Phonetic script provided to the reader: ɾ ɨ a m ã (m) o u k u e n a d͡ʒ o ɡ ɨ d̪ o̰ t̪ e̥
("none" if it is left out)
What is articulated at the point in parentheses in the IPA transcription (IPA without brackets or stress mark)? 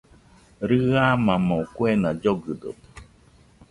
m